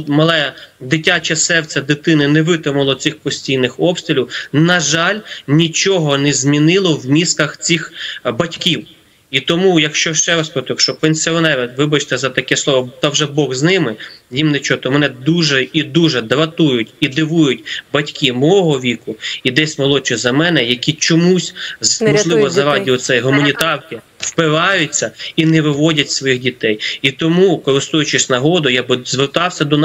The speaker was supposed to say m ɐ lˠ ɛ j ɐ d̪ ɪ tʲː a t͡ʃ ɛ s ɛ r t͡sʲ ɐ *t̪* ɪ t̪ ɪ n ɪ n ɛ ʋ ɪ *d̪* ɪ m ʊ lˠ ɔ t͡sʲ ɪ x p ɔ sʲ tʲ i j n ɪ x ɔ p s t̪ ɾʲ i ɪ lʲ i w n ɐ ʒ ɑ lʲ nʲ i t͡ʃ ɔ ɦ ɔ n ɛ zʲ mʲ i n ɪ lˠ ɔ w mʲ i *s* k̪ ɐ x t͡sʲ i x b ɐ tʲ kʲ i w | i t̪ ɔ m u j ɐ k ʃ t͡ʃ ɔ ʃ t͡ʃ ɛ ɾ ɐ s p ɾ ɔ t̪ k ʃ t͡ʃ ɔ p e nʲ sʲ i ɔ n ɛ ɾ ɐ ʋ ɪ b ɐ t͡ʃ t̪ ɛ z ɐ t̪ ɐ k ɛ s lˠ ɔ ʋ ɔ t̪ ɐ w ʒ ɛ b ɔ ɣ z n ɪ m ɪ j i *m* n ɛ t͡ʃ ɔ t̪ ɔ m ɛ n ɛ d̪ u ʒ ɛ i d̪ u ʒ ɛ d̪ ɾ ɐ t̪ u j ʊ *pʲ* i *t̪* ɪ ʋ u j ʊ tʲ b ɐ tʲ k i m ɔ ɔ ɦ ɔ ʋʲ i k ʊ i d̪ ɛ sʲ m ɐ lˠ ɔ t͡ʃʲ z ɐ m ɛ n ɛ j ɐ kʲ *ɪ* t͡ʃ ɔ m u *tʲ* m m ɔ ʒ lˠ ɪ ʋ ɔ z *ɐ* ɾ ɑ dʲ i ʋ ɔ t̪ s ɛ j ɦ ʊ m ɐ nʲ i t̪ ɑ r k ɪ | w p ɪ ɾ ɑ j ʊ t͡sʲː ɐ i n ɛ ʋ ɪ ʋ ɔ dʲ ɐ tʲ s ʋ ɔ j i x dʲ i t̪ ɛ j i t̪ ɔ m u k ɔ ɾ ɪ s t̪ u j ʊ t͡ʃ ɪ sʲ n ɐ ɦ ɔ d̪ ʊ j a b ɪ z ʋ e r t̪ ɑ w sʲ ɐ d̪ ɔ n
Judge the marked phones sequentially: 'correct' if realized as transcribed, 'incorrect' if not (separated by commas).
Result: incorrect, incorrect, correct, correct, incorrect, incorrect, incorrect, incorrect, correct